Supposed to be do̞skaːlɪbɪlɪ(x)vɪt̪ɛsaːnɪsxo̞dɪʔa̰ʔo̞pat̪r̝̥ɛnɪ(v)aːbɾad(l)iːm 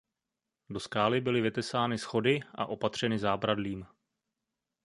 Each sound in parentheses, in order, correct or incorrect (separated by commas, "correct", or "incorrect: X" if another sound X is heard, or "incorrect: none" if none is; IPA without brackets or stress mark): incorrect: none, incorrect: z, correct